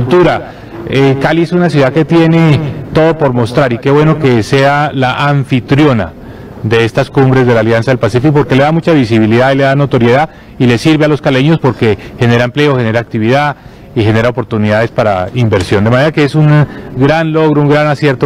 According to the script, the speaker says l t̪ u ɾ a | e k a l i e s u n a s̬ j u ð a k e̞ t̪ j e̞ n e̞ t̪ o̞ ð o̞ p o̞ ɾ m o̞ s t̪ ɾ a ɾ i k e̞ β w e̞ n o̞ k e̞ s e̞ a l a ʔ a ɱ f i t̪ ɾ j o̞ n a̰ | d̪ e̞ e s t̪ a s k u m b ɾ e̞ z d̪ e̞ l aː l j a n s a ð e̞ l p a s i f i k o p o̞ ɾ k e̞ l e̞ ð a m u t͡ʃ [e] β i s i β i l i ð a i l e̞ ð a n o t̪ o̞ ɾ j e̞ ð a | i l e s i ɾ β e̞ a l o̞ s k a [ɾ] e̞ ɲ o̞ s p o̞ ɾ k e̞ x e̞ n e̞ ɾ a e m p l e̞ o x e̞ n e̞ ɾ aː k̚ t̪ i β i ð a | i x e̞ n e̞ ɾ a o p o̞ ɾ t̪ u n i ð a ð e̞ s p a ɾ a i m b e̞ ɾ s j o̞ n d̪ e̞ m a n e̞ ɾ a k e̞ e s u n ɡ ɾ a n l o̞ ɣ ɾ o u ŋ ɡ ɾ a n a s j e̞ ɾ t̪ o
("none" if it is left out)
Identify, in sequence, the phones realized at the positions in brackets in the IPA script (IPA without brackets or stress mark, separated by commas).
a, l